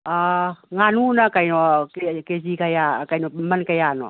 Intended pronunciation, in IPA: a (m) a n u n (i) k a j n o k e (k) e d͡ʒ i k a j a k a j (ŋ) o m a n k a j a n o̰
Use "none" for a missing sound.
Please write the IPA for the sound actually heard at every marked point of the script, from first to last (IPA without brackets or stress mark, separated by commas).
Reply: ŋ, a, k, n